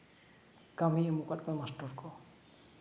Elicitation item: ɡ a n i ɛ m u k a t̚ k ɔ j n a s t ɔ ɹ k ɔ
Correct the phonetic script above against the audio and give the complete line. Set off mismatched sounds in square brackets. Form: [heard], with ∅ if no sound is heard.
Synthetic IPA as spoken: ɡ a [m] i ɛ m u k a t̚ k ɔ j [m] a s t ɔ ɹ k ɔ